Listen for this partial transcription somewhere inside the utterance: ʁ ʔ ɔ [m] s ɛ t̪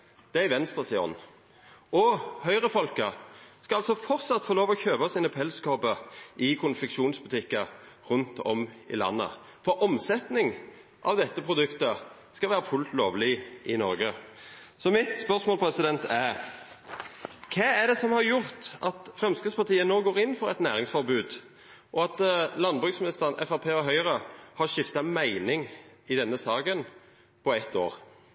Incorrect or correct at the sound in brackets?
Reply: correct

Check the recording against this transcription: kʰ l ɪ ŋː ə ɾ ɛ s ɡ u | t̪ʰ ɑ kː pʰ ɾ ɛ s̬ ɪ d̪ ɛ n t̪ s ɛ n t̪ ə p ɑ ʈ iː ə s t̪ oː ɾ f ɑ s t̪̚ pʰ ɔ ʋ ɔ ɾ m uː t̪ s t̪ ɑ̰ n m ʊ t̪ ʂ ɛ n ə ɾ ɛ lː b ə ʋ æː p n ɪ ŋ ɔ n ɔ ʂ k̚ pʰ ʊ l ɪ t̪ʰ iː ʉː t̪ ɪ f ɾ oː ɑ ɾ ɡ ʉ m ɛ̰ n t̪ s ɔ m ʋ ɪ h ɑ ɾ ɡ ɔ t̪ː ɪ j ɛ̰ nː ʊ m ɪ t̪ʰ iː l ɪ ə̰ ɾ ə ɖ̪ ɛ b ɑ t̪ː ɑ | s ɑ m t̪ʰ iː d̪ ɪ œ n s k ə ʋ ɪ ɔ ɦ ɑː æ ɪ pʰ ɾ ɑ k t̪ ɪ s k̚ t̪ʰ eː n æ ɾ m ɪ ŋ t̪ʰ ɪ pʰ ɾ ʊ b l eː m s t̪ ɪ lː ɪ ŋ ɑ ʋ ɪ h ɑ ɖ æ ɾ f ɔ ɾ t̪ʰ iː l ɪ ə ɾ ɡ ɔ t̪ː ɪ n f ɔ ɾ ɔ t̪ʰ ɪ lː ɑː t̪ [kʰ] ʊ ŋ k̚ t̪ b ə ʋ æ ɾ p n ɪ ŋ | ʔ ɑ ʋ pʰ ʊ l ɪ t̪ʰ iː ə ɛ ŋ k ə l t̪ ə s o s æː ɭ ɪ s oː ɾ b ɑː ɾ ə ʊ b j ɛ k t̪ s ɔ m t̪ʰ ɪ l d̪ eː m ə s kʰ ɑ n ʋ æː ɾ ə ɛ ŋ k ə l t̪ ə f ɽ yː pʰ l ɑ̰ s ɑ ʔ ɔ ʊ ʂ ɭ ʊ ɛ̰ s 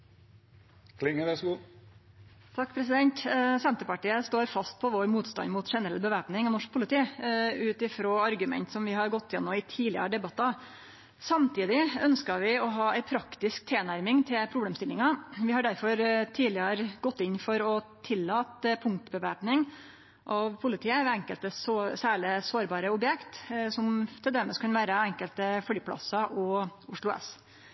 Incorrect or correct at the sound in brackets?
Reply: incorrect: pʰ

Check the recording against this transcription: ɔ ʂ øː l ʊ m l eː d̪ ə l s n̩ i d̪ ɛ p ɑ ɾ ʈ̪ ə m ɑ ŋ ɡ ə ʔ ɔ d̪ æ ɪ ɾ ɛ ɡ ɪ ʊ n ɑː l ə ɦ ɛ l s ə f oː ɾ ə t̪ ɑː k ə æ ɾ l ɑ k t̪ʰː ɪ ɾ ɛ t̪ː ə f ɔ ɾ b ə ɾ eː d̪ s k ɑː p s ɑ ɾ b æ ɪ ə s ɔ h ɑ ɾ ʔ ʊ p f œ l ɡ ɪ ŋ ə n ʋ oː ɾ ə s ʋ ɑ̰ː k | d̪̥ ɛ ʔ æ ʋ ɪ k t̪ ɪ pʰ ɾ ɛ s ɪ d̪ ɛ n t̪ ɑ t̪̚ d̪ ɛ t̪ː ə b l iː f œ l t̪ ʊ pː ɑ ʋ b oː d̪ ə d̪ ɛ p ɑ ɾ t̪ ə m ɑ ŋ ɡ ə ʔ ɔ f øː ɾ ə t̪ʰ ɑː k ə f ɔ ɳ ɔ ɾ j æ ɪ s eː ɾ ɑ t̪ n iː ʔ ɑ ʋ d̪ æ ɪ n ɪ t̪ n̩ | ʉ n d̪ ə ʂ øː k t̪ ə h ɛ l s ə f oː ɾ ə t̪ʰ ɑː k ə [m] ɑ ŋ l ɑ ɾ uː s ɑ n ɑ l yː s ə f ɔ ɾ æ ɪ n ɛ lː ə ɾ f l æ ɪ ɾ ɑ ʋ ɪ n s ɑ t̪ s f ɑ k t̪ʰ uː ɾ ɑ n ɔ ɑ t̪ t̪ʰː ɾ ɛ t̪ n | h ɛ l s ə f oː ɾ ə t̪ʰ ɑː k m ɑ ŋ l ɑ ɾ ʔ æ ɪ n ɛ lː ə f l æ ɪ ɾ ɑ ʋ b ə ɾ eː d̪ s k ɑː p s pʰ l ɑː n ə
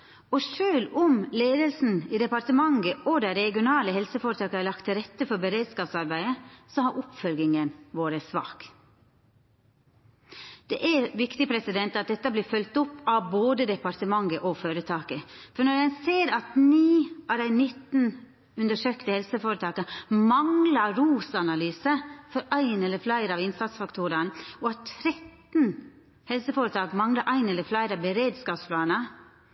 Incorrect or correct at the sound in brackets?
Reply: correct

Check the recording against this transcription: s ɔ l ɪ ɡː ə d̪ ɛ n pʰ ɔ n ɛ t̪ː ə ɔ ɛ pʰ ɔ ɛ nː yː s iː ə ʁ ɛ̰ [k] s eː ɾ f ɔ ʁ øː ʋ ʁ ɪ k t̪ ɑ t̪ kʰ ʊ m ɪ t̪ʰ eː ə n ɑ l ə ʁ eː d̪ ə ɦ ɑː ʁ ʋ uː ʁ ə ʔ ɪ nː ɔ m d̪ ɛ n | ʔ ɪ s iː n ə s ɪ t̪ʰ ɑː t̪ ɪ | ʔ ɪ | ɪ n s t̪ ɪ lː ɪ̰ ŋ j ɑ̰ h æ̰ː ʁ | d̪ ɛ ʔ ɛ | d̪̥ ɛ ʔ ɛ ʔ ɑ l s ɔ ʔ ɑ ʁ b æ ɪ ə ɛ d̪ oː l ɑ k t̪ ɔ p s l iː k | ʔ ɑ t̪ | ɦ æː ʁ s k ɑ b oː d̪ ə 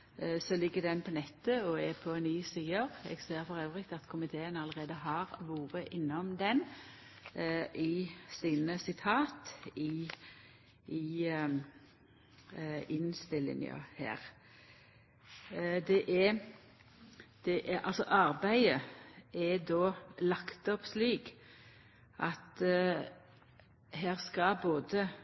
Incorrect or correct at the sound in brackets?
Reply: incorrect: ɡ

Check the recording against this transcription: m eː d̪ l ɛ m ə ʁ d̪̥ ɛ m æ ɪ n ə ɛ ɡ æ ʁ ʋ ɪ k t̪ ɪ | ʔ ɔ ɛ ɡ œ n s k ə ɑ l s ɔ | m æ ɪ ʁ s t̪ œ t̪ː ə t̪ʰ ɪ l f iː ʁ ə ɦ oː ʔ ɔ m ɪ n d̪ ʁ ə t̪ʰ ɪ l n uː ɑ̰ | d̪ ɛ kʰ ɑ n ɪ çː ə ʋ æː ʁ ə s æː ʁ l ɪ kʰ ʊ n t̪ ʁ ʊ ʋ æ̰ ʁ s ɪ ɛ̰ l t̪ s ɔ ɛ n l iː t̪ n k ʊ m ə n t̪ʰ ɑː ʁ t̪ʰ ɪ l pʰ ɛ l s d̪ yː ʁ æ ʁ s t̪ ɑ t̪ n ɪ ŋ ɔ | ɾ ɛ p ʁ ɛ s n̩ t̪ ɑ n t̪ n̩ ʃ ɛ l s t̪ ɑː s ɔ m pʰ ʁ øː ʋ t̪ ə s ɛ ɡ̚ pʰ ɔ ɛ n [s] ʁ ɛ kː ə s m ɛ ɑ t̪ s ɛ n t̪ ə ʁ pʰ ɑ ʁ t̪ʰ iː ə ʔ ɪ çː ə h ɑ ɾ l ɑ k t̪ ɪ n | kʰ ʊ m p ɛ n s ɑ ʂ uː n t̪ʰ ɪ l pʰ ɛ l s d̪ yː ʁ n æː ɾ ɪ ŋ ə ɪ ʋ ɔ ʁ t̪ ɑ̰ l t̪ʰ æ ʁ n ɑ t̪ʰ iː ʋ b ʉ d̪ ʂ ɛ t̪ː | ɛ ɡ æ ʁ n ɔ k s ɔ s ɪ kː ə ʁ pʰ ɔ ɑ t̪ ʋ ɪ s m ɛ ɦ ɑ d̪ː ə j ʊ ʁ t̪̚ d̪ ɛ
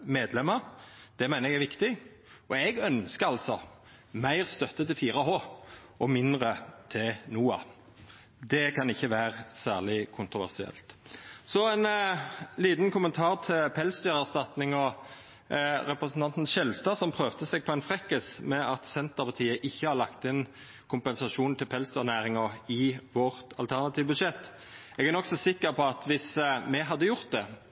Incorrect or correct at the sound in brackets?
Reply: incorrect: f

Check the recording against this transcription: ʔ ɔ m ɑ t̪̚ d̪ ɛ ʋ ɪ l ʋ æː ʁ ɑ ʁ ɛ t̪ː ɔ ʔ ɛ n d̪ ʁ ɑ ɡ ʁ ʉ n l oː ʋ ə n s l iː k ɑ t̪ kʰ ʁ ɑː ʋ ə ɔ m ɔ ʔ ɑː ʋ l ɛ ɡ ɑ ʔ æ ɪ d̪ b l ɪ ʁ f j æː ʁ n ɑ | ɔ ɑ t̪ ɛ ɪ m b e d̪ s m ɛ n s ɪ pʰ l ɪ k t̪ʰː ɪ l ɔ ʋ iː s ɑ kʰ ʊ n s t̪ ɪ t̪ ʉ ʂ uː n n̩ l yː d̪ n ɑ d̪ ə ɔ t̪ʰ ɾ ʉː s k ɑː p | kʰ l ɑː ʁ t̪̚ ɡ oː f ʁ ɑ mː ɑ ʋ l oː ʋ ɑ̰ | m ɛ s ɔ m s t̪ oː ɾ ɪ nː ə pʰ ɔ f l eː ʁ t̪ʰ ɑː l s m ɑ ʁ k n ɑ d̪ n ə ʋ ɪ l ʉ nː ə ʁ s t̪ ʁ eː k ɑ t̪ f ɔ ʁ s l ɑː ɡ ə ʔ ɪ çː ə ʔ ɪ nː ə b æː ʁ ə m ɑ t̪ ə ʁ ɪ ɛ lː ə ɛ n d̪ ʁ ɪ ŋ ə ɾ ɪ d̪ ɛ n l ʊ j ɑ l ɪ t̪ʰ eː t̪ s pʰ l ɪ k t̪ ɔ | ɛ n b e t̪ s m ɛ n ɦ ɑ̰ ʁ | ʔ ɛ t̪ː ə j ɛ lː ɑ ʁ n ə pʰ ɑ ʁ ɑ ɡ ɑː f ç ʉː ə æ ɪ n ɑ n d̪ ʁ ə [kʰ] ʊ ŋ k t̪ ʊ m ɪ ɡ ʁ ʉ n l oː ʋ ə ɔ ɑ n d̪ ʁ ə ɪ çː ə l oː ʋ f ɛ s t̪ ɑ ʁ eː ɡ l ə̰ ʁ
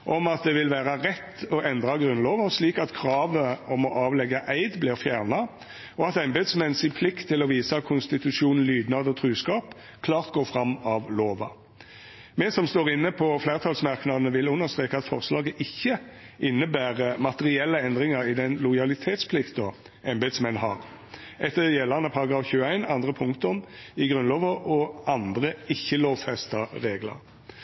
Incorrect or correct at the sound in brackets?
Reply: incorrect: pʰ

